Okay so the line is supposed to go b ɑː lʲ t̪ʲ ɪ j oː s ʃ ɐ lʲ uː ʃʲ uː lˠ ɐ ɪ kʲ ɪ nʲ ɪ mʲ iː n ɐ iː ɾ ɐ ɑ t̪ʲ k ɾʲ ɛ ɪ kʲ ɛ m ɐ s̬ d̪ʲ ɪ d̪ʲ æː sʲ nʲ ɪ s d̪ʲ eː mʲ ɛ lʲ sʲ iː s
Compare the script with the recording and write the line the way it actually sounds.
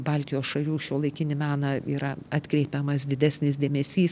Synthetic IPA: b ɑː lʲ t̪ʲ ɪ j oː s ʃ ɐ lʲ uː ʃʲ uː lˠ ɐ ɪ kʲ ɪ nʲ ɪ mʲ æː n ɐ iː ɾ ɐ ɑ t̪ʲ k ɾʲ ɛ ɪ pʲ ɛ m ɐ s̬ d̪ʲ ɪ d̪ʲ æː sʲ nʲ ɪ s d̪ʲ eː mʲ ɛ sʲ iː s